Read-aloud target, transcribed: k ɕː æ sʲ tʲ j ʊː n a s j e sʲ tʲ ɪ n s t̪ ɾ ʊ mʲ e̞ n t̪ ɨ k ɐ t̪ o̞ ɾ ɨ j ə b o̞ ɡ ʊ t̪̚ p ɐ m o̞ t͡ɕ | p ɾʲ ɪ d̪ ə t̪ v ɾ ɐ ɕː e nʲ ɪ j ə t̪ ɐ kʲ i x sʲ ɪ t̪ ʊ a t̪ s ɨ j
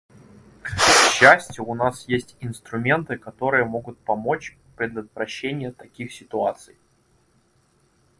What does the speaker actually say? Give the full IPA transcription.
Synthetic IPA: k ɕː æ sʲ tʲ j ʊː n a s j e sʲ tʲ ɪ n s t̪ ɾ ʊ mʲ e̞ n t̪ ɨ k ɐ t̪ o̞ ɾ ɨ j ə m o̞ ɡ ʊ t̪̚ p ɐ m o̞ t͡ɕ | p ɾʲ ɪ d̪ ə t̪ v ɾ ɐ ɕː e nʲ ɪ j ə t̪ ɐ kʲ i x sʲ ɪ t̪ ʊ a t̪ s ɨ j

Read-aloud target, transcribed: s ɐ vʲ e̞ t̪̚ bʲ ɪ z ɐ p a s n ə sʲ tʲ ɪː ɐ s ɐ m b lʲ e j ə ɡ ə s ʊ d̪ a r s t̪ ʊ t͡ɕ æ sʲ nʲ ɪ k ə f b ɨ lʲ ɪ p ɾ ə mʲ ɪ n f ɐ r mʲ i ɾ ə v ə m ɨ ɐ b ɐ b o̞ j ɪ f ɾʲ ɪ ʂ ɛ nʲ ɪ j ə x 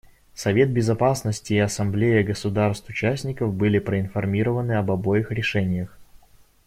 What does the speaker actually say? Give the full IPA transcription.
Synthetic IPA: s ɐ vʲ e̞ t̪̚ bʲ ɪ z ɐ p a s n ə sʲ tʲ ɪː ɐ s ɐ m b lʲ e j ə ɡ ə s ʊ d̪ a r s t̪ ʊ t͡ɕ æ sʲ nʲ ɪ k ə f b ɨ lʲ ɪ p ɾ ə ɪ n f ɐ r mʲ i ɾ ə v ə n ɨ ɐ b ɐ b o̞ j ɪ x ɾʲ ɪ ʂ ɛ nʲ ɪ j ə x

